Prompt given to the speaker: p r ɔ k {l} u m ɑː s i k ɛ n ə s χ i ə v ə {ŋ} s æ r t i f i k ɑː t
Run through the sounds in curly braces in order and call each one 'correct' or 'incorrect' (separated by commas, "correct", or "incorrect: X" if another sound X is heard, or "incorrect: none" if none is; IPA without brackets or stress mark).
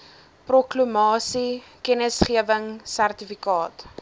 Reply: correct, correct